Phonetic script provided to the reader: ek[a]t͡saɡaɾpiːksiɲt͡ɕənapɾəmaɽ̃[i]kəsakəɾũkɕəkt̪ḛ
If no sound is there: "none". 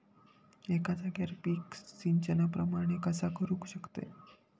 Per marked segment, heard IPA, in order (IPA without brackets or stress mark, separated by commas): a, e